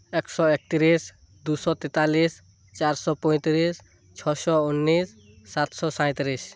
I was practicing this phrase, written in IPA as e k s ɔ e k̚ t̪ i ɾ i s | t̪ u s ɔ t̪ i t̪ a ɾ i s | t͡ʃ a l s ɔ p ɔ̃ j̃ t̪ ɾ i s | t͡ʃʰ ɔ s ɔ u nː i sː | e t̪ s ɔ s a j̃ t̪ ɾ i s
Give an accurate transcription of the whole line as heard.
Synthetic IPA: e k s ɔ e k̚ t̪ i ɾ i s | d̪ u s ɔ t̪ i t̪ a l i s | t͡ʃ a ɾ s ɔ p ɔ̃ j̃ t̪ ɾ i s | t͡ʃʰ ɔ s ɔ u nː i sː | a t̪ s ɔ s a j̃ t̪ ɾ i s